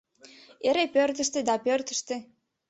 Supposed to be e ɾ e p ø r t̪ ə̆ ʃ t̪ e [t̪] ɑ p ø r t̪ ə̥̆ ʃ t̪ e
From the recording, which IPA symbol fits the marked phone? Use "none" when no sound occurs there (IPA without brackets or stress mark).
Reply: d̪